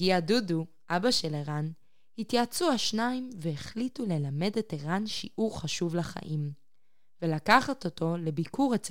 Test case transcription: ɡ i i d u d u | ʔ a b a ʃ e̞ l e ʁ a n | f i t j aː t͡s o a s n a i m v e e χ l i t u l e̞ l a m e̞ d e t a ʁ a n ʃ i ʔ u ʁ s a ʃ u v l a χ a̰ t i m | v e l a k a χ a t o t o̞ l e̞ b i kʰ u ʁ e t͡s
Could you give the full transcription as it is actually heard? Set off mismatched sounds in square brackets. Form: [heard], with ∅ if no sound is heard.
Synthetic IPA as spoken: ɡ i [a] d u d u | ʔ a b a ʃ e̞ l e ʁ a n | [h] i t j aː t͡s [u] a [ʃ] n a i m v e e χ l i t u l e̞ l a m e̞ d e t [e] ʁ a n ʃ i ʔ u ʁ [χ] a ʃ u v l a χ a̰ [ʔ] i m | v e l a k a χ a t o t o̞ l e̞ b i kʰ u ʁ e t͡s